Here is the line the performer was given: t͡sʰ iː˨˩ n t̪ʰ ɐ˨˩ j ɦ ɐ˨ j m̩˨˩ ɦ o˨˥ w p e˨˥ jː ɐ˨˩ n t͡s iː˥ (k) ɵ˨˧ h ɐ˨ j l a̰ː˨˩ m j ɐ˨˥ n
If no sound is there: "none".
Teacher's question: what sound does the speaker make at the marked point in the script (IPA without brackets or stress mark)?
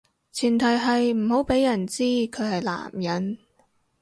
kʰ